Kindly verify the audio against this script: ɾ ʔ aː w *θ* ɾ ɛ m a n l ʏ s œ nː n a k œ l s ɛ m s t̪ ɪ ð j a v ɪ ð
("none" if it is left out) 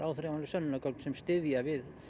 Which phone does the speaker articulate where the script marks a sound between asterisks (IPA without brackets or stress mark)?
θ